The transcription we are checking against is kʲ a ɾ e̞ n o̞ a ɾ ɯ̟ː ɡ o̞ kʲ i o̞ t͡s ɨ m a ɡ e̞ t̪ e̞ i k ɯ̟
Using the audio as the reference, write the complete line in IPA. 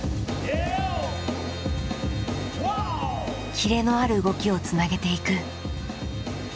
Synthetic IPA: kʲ i ɾ e̞ n o̞ a ɾ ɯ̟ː ɡ o̞ kʲ i o̞ t͡s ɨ n a ɡ e̞ t̪ e̞ i k ɯ̟